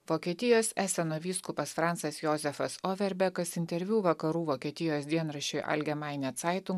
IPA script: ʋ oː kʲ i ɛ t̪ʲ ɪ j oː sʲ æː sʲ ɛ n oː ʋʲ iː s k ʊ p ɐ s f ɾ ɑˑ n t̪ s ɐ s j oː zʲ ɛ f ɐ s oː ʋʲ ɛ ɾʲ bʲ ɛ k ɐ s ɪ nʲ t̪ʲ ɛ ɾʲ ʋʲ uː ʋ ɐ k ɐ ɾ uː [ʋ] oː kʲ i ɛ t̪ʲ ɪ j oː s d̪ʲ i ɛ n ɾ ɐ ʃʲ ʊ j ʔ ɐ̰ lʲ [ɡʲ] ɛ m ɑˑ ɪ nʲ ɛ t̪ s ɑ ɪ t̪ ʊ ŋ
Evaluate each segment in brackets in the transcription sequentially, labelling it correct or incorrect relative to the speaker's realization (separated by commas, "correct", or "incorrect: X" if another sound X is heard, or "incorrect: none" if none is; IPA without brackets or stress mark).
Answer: correct, correct